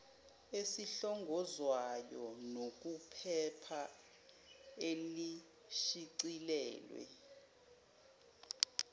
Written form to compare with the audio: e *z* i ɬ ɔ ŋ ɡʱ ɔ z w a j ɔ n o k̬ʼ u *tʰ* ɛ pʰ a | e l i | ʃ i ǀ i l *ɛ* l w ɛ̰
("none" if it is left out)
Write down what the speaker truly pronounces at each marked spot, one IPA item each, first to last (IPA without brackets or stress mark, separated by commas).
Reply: s, pʰ, ɛː